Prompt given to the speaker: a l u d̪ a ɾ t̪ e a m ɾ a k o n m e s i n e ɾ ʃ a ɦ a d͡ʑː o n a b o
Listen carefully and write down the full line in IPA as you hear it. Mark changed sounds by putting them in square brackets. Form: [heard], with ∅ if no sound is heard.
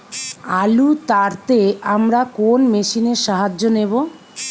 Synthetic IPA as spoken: a l u [t̪] a ɾ t̪ e a m ɾ a k o n m e [ʃ] i n e ɾ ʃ a ɦ a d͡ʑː o n [e] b o